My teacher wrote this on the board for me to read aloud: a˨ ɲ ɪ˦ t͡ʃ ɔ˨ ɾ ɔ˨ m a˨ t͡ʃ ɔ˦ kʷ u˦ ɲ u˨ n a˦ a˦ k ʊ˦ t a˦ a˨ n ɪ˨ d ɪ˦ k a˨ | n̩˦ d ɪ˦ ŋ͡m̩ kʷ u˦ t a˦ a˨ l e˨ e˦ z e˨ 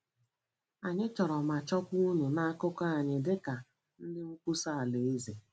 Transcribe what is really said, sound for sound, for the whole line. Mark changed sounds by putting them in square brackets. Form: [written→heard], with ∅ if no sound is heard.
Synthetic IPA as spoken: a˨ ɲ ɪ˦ t͡ʃ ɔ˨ ɾ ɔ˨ m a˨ t͡ʃ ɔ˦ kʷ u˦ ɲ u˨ n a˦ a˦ k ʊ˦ [t→k] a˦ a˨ [n→ɲ] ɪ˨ d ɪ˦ k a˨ | n̩˦ d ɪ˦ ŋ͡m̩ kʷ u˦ [t→s] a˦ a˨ l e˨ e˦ z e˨